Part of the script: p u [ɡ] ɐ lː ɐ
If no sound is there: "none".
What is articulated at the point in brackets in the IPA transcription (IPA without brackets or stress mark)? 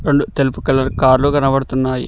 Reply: k